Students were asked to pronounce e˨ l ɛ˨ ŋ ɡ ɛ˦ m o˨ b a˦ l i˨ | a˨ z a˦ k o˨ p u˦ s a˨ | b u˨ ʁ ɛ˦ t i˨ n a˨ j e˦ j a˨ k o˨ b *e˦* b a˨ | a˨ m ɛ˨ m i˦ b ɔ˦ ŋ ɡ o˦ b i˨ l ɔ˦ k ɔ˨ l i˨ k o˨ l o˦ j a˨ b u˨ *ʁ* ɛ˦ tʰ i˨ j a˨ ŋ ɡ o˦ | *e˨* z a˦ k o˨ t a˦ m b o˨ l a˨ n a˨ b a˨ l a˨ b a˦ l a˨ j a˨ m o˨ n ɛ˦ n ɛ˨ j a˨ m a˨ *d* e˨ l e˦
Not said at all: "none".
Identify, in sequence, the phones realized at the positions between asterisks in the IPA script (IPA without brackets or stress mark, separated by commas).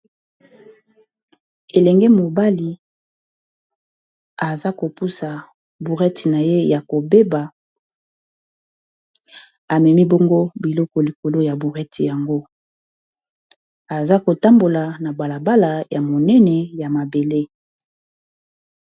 e˦, ʁ, a˨, b